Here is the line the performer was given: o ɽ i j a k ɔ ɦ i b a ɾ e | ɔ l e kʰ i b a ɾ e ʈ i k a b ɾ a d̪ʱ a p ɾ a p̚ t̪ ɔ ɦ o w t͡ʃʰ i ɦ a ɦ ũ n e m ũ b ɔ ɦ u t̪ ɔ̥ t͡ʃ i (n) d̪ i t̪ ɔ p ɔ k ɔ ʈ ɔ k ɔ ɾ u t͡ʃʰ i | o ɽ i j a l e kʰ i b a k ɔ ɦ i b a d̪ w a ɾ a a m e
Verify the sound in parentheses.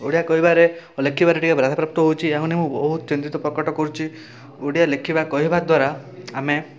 correct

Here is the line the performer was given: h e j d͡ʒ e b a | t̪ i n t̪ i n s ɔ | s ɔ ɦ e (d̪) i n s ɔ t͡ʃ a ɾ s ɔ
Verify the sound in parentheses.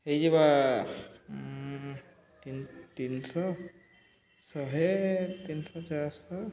incorrect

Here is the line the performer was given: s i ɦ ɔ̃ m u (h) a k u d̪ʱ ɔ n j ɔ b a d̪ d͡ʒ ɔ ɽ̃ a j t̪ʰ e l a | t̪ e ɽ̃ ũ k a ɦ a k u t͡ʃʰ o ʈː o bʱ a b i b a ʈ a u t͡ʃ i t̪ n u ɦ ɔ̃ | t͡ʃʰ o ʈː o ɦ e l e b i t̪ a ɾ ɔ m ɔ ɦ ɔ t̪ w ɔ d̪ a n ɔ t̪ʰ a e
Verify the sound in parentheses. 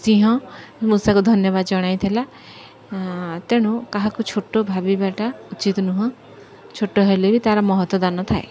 incorrect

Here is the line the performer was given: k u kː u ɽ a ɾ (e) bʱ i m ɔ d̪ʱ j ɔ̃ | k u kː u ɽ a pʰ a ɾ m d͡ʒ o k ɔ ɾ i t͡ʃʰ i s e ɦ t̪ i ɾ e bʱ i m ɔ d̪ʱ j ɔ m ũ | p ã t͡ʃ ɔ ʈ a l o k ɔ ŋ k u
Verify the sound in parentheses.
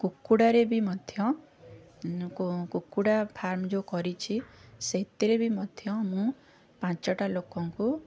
correct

